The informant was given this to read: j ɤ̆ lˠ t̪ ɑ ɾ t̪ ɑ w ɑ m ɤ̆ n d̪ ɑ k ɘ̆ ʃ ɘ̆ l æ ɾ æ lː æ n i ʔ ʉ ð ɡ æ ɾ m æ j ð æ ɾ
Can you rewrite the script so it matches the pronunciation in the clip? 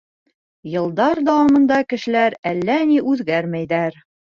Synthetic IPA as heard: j ɤ̆ lˠ d̪ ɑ ɾ d̪ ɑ w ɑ m ɤ̆ n d̪ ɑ k ɘ̆ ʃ ɘ̆ l æ ɾ æ lː æ n i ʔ ʉ ð ɡ æ ɾ m æ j ð æ ɾ